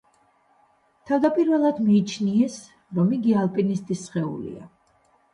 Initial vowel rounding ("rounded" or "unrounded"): unrounded